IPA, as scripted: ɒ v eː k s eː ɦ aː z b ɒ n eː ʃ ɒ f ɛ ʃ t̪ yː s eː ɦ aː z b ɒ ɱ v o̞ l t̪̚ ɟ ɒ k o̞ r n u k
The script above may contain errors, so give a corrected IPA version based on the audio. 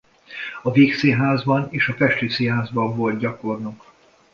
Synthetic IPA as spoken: ɒ v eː k s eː ɦ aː z b ɒ n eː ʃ ɒ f ɛ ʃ t̪ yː s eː ɦ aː z b ɒ ɱ v o̞ l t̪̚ ɟ ɒ k o̞ r n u k